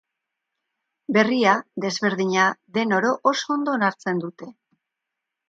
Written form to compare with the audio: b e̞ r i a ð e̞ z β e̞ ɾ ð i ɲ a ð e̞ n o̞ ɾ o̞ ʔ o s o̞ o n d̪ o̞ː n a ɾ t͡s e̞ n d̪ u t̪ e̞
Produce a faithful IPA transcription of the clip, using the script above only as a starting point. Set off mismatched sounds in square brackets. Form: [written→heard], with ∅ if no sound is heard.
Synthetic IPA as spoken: b e̞ r i a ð e̞ z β e̞ ɾ ð i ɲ a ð e̞ n o̞ ɾ o̞ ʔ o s o̞ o n d̪ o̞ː n a ɾ t͡s e̞ n d̪ u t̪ e̞